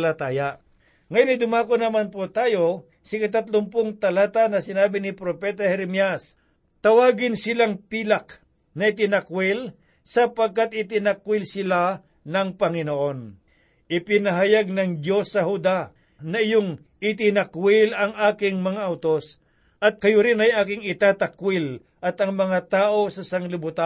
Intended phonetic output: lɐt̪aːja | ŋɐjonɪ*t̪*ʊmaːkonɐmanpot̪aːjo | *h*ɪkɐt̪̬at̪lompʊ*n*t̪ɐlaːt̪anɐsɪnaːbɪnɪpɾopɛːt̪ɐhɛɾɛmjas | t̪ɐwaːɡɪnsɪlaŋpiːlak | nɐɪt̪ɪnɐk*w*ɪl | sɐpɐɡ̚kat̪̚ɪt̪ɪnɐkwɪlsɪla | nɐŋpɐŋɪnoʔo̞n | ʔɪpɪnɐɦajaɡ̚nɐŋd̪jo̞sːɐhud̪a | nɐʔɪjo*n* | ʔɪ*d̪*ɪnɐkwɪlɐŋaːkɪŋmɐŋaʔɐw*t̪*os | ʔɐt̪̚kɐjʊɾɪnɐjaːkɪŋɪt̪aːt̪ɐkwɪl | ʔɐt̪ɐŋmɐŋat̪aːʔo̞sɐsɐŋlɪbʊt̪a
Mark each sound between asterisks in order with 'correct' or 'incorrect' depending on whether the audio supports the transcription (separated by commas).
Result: incorrect, incorrect, incorrect, correct, incorrect, incorrect, correct